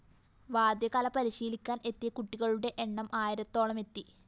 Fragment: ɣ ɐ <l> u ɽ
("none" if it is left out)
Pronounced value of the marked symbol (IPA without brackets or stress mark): ɭ